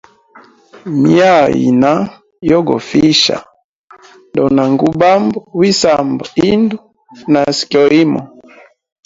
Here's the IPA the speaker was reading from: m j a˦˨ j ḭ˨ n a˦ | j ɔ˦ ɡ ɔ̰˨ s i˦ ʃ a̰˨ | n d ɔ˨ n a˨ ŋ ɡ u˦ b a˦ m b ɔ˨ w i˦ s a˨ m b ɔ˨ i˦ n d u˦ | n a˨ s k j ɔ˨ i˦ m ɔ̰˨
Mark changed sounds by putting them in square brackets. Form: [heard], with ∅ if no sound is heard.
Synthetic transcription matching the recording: m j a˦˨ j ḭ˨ n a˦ | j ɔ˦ ɡ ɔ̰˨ [f] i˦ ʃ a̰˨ | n d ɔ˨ n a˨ ŋ ɡ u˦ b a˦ m b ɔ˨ w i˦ s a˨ m b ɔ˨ i˦ n d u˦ | n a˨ s k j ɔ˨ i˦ m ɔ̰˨